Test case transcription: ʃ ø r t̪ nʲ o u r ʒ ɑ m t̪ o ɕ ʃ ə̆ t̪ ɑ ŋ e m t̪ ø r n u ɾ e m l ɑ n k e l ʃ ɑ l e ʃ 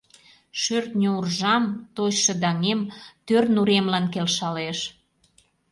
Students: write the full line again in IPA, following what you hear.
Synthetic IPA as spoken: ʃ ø r t̪ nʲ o u r ʒ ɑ m t̪ o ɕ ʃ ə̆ d̪ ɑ ŋ e m t̪ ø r n u ɾ e m l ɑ n k e l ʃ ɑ l e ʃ